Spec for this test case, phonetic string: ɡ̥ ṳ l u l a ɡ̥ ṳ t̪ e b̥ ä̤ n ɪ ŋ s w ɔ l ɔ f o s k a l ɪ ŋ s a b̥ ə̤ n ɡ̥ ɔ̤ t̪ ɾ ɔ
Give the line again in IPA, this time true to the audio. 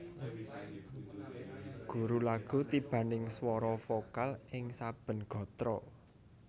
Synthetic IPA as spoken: ɡ̥ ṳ ɾ u l a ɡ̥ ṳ t̪ i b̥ ä̤ n ɪ ŋ s w ɔ ɾ ɔ f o k a l ɪ ŋ s a b̥ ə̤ n ɡ̥ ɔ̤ t̪ ɾ ɔ